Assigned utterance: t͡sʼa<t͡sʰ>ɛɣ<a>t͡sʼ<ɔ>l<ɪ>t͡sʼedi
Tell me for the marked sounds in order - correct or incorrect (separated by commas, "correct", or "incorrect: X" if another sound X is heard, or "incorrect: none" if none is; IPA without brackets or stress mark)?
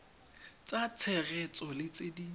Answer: correct, incorrect: ɛ, correct, correct